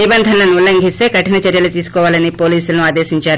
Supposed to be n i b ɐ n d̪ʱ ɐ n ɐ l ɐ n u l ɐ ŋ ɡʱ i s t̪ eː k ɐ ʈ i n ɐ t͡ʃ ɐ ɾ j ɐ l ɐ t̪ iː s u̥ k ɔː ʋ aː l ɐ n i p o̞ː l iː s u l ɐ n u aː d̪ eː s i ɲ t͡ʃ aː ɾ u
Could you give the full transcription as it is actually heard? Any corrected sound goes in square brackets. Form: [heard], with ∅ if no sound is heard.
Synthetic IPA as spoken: n i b ɐ n d̪ʱ ɐ n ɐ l ɐ n u l ɐ ŋ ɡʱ i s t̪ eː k ɐ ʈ i n ɐ t͡ʃ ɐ ɾ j ɐ l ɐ t̪ iː s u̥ k ɔː ʋ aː l ɐ n i p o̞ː l iː s u l ɐ n u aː d̪ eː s i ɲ t͡ʃ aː ɾ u